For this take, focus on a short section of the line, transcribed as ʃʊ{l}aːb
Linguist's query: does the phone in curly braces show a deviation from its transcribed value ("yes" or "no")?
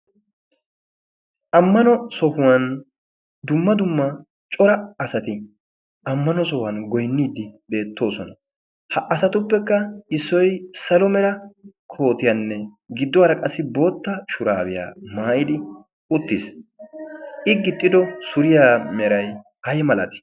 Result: yes